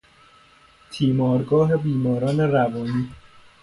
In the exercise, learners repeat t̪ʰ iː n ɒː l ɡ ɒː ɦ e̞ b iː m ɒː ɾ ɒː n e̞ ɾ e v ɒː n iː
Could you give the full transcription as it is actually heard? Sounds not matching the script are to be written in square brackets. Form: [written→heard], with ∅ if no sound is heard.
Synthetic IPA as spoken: t̪ʰ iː [n→m] ɒː [l→ɾ] ɡ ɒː ɦ e̞ b iː m ɒː ɾ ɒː n e̞ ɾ [e→æ] v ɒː n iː